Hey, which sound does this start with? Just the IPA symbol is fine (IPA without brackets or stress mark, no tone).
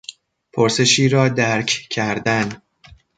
pʰ